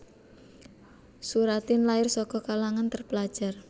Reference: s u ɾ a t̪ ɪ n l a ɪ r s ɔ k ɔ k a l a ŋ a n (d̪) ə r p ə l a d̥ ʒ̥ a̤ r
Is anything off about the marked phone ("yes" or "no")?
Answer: yes